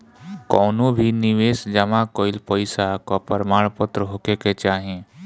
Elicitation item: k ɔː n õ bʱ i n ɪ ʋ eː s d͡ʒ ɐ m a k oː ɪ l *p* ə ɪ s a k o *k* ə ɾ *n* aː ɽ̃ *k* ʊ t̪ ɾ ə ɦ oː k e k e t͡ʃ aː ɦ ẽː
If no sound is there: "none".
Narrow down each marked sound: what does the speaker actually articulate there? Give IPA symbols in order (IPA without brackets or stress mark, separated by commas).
p, p, m, p